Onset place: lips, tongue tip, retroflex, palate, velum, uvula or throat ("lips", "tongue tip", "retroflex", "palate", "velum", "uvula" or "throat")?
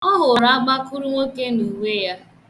throat